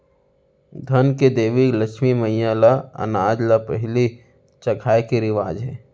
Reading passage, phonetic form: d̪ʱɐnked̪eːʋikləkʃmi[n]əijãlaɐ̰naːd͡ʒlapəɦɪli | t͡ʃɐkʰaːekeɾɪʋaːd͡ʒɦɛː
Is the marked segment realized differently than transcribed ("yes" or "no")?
yes